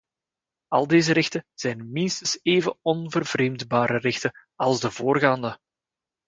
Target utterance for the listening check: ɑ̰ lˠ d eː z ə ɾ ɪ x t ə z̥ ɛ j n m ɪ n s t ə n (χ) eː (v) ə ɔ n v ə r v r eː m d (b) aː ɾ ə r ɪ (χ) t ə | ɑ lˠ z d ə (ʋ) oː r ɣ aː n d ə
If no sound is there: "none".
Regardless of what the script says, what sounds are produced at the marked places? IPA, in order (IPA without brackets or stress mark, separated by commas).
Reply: s, v, b, x, v